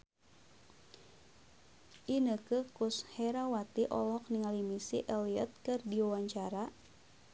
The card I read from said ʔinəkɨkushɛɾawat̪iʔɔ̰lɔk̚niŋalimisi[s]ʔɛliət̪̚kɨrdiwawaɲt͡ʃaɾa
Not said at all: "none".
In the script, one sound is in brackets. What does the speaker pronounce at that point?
none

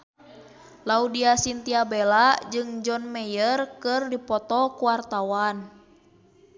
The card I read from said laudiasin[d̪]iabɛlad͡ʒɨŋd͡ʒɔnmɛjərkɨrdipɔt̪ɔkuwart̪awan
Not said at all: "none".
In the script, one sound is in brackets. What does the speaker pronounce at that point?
t̪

